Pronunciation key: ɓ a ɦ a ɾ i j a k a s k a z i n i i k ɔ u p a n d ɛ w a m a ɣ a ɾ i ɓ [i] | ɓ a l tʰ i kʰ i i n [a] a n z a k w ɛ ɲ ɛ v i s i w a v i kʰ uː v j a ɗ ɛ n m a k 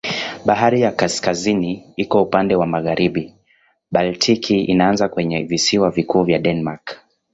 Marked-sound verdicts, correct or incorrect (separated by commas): correct, correct